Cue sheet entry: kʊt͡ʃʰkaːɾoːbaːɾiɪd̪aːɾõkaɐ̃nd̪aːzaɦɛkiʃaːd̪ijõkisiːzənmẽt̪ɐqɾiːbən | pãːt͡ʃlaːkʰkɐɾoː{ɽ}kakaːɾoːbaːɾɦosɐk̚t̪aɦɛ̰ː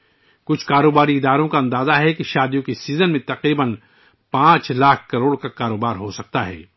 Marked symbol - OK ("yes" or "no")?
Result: yes